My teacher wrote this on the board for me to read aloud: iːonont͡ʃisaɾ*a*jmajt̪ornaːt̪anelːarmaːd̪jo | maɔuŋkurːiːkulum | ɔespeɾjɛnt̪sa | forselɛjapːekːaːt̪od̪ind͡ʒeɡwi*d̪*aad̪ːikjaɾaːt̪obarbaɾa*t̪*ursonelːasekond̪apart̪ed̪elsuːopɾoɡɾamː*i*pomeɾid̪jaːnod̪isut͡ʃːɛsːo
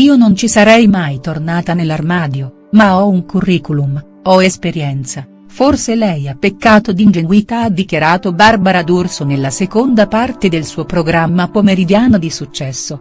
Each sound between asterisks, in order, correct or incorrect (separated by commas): incorrect, incorrect, incorrect, incorrect